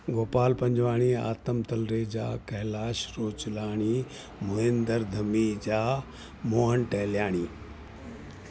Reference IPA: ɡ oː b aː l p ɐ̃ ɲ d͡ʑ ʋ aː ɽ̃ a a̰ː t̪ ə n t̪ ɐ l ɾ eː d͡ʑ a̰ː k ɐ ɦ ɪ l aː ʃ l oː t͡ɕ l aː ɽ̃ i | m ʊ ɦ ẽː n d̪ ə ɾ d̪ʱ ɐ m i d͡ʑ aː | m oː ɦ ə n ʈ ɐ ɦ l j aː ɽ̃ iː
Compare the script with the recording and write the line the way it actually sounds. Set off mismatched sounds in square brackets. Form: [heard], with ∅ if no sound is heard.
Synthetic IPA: ɡ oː [p] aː l p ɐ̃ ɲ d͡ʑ ʋ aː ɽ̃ [i] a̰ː t̪ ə [m] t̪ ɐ l ɾ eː d͡ʑ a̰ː k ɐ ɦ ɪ l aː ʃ [ɾ] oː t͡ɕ l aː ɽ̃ i | m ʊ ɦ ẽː n d̪ ə ɾ d̪ʱ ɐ m i d͡ʑ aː | m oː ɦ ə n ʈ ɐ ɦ l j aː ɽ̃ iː